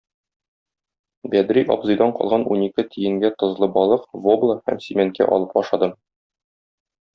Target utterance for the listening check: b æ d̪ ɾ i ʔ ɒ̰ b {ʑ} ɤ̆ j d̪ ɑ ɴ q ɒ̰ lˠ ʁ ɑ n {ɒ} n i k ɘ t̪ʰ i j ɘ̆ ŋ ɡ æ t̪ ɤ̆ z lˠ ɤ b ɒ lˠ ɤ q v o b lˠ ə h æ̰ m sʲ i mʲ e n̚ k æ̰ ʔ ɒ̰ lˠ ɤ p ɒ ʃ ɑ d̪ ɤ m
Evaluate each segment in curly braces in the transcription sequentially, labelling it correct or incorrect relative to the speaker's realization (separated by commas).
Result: incorrect, incorrect